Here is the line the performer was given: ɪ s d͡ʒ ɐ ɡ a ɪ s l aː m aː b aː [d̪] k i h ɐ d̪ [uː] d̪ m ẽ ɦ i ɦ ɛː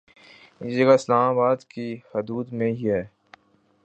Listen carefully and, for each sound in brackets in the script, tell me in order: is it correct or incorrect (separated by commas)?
correct, correct